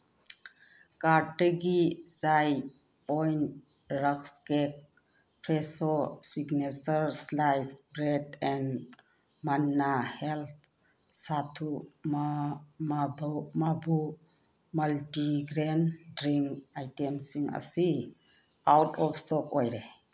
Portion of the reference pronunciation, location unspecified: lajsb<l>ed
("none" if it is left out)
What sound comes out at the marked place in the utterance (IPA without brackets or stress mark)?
ɾ